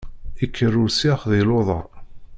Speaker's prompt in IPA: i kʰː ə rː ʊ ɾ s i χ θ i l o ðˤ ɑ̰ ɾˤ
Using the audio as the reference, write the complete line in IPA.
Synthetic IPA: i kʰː ə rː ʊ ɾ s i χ ð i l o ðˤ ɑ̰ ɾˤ